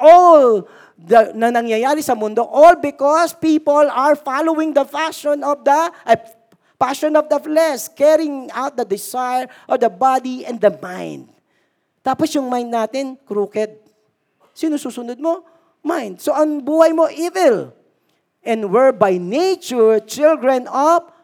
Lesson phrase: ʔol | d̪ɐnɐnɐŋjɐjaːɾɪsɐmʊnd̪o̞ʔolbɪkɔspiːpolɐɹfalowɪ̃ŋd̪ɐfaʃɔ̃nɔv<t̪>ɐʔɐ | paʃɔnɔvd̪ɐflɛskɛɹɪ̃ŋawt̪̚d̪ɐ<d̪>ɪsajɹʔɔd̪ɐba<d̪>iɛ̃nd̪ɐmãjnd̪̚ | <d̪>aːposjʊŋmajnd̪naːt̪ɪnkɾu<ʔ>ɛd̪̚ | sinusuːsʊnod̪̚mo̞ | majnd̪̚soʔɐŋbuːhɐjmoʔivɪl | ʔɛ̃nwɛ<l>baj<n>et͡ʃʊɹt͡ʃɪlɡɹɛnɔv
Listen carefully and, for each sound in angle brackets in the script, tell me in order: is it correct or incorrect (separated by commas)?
incorrect, correct, correct, incorrect, incorrect, incorrect, correct